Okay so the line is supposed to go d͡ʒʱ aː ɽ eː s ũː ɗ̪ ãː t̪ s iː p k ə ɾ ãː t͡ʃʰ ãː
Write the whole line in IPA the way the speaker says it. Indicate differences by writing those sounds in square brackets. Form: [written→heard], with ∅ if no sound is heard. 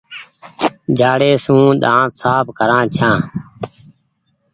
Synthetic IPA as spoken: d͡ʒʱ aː ɽ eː s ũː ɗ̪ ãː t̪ s [iː→aː] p k ə ɾ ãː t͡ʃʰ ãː